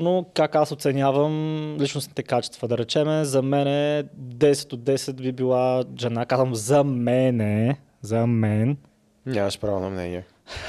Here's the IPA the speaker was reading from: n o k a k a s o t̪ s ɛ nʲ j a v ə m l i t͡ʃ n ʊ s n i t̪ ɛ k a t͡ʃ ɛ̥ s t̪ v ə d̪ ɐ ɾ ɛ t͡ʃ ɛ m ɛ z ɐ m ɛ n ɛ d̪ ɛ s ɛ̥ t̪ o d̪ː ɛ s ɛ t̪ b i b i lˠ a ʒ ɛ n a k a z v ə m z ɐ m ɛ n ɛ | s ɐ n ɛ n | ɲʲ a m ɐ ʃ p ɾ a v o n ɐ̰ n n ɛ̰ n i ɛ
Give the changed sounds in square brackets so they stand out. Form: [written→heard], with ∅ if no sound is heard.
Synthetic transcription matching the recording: n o k a k a s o t̪ s ɛ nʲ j a v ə m l i t͡ʃ n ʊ s n i t̪ ɛ k a t͡ʃ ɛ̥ s t̪ v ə d̪ ɐ ɾ ɛ t͡ʃ ɛ m ɛ z ɐ m ɛ n ɛ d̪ ɛ s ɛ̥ t̪ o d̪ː ɛ s ɛ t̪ b i b i lˠ a ʒ ɛ n a k a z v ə m z ɐ m ɛ n ɛ | [s→z] ɐ [n→m] ɛ n | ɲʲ a m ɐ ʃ p ɾ a v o n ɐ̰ [n→m] n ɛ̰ n i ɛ